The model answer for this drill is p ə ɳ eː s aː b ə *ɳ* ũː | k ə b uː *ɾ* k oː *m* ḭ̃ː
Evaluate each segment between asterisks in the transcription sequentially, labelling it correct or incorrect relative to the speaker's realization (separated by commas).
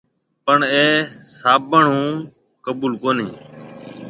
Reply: correct, incorrect, incorrect